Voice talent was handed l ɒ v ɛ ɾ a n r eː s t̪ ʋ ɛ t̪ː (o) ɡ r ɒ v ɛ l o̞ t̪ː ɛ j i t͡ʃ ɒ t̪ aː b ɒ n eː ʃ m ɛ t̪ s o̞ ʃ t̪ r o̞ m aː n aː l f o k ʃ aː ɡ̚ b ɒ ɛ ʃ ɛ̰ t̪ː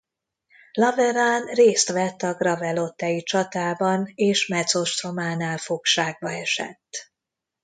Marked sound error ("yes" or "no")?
yes